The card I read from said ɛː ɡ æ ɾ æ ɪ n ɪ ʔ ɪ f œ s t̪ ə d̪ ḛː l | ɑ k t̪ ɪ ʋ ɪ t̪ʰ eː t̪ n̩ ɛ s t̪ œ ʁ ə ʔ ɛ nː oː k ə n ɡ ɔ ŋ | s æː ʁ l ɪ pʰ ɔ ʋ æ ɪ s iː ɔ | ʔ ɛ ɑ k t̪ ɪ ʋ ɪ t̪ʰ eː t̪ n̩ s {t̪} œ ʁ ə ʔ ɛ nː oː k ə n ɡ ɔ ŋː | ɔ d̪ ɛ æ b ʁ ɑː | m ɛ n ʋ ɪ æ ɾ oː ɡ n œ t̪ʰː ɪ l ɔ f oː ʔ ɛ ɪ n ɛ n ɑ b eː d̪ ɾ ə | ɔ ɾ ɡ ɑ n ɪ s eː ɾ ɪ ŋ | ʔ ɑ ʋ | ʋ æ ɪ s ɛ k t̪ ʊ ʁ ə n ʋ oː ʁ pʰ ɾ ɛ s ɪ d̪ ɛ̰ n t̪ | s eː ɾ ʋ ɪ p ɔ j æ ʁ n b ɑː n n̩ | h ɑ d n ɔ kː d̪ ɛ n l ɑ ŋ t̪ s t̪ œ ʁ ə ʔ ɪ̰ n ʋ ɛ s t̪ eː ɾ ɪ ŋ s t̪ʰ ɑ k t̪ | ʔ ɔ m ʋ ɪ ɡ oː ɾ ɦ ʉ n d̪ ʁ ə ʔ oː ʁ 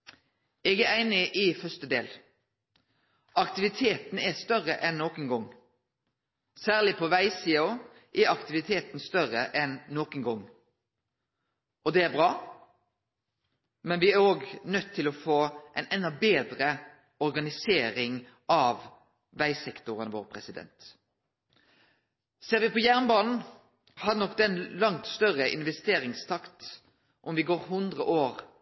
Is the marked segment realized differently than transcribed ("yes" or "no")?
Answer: no